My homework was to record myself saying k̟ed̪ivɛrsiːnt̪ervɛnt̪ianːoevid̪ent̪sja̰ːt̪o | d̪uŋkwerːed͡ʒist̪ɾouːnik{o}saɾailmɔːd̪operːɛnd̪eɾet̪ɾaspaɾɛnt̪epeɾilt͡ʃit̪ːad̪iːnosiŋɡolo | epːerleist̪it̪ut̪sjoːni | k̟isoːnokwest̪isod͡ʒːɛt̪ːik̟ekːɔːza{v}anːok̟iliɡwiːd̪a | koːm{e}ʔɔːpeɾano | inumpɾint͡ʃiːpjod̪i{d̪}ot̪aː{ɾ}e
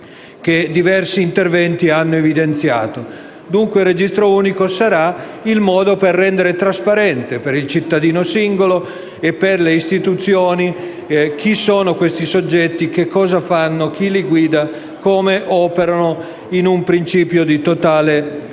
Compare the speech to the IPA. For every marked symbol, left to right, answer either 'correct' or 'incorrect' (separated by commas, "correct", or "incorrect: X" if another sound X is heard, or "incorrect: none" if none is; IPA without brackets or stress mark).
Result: correct, incorrect: f, correct, incorrect: t̪, incorrect: l